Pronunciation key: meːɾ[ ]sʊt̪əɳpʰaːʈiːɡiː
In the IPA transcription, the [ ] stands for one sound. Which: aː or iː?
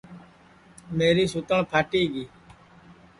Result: iː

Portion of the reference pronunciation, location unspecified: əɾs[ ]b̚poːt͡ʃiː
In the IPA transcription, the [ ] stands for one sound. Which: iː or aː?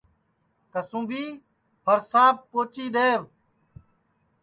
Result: aː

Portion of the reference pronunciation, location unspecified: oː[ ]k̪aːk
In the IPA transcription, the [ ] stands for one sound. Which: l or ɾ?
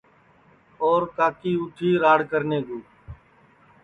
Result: ɾ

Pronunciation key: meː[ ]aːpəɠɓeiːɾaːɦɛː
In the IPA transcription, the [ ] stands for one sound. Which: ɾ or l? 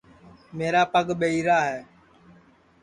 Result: ɾ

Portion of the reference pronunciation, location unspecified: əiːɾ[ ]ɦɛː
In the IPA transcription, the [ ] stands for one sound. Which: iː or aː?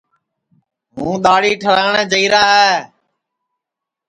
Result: aː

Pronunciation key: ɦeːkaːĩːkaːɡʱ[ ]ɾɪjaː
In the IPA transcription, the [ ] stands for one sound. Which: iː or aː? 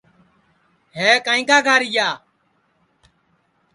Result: aː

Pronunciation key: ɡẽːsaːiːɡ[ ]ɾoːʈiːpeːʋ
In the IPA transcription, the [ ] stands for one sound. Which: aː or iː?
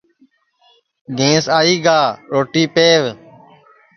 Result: aː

